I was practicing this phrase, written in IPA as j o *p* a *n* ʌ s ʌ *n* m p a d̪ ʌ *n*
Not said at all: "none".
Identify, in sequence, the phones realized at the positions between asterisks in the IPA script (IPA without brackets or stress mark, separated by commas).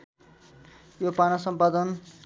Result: p, n, none, n